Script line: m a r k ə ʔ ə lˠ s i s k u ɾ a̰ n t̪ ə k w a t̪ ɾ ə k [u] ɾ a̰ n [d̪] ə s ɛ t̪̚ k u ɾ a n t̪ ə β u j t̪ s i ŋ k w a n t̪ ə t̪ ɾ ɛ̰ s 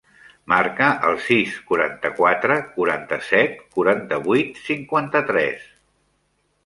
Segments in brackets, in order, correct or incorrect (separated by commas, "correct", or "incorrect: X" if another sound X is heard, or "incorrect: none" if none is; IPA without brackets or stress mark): correct, incorrect: t̪